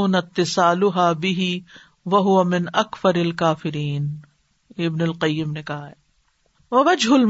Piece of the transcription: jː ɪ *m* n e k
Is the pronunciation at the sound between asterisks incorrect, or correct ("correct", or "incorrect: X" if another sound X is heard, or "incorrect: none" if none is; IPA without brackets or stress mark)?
correct